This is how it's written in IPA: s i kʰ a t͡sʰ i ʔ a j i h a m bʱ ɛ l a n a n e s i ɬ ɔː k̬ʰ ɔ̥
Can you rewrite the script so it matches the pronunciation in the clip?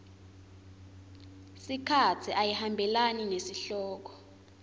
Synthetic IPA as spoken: s i kʰ a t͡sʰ i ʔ a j i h a m bʱ ɛ l a n i n e s i ɬ ɔː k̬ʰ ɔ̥

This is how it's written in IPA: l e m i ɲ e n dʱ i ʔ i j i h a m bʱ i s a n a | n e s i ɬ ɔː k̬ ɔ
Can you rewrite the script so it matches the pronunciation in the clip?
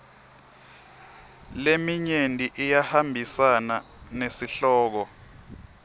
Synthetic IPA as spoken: l e m i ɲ e n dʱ i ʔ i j a h a m bʱ i s a n a | n e s i ɬ ɔː k̬ ɔ

